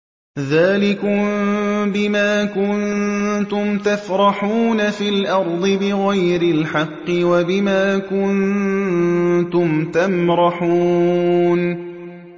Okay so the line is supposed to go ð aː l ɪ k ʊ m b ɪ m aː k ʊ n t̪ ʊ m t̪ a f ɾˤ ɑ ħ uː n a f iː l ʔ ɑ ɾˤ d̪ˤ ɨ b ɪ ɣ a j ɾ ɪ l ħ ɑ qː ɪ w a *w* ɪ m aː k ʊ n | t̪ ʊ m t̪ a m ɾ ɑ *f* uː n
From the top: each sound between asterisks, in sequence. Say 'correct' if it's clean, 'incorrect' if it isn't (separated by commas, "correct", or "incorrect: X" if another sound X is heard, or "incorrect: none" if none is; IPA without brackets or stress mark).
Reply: incorrect: b, incorrect: ħ